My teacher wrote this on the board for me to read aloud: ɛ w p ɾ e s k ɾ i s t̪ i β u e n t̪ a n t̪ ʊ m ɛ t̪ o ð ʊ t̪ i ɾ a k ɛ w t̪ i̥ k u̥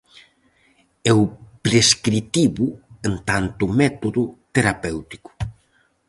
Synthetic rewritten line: ɛ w p ɾ e s k ɾ i t̪ i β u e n t̪ a n t̪ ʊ m ɛ t̪ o ð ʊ t̪ e ɾ a p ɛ w t̪ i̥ k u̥